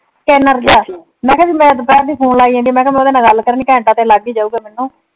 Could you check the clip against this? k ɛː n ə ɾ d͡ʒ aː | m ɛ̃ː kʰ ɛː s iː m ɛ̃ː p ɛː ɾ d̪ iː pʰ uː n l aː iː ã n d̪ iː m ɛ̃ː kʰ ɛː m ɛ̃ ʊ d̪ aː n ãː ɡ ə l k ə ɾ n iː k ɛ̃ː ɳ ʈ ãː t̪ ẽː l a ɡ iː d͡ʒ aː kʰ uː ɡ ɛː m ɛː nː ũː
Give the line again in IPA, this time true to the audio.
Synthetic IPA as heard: k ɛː n ə ɾ d͡ʒ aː | m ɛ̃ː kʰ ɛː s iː m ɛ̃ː p ɛː ɾ d̪ iː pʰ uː n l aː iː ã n d̪ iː m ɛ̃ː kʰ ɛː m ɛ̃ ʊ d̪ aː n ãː ɡ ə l k ə ɾ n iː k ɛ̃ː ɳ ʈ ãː t̪ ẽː l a ɡ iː d͡ʒ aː uː ɡ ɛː m ɛː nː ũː